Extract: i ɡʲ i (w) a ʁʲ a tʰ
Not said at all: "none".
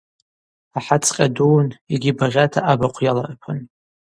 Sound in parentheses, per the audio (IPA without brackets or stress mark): b